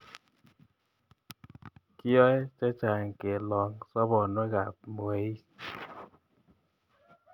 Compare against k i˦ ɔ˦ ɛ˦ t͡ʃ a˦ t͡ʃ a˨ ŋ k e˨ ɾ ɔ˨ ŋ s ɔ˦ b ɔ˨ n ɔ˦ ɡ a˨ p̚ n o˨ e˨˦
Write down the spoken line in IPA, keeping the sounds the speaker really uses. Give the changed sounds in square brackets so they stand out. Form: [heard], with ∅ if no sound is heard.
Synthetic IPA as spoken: k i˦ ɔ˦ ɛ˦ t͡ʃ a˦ t͡ʃ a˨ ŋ k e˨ [l] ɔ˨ ŋ s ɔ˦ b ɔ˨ n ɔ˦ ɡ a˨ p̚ [m] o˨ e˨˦